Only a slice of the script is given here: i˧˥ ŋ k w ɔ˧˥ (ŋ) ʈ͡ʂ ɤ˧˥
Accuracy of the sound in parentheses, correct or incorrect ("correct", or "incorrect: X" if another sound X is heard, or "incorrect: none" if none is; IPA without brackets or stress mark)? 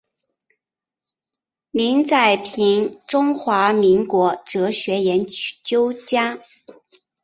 incorrect: none